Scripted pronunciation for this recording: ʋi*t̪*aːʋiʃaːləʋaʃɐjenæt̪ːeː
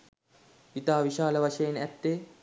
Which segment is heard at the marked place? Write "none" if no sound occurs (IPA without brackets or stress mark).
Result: t̪